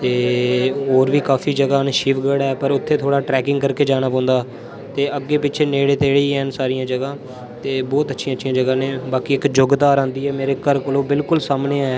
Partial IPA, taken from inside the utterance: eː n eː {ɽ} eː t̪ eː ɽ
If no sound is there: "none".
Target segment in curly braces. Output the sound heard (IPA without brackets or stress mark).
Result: ɽ